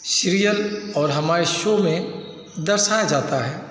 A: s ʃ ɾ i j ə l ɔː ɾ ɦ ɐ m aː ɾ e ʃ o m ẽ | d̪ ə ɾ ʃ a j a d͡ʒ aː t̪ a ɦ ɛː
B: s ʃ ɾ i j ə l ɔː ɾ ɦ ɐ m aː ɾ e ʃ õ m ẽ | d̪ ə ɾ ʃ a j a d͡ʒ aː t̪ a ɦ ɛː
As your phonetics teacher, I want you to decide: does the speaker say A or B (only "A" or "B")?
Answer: A